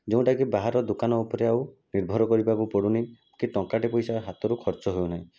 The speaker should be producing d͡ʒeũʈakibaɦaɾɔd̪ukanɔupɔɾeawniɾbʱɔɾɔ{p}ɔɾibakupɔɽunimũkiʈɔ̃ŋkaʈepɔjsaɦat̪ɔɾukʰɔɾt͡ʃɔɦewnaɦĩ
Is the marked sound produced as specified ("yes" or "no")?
no